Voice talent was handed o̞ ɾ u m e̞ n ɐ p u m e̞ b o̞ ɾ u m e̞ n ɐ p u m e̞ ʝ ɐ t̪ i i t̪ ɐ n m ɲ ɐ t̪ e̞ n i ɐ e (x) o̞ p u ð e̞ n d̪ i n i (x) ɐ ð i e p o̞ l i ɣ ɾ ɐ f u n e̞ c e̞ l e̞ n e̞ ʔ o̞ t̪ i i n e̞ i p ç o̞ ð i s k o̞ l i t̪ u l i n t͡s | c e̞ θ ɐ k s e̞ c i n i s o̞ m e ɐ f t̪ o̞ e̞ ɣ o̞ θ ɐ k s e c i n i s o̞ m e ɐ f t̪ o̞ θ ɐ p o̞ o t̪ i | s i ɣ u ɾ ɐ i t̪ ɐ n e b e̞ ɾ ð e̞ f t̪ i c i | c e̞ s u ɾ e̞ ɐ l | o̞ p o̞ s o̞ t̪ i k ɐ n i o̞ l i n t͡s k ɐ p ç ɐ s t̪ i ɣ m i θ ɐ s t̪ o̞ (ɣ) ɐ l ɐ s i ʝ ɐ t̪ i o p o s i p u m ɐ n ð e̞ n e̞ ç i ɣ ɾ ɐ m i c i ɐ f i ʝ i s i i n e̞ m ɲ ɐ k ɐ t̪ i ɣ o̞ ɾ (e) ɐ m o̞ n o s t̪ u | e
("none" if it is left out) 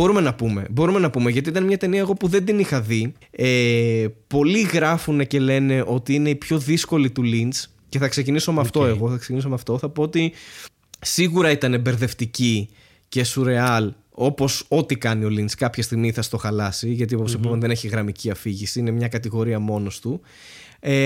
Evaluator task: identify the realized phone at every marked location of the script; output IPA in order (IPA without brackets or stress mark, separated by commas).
ɣ, x, x, i